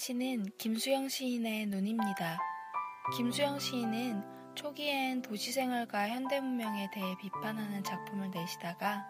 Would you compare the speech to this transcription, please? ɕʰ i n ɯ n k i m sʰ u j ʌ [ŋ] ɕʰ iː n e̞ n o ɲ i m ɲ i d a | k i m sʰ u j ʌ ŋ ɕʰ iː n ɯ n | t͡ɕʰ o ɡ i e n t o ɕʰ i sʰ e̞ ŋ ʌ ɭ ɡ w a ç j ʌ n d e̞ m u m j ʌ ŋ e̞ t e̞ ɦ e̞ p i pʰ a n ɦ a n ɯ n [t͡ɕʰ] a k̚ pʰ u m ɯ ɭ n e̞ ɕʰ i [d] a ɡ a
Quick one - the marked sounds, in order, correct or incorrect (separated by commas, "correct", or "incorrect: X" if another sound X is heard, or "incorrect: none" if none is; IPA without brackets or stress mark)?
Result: correct, incorrect: t͡ɕ, correct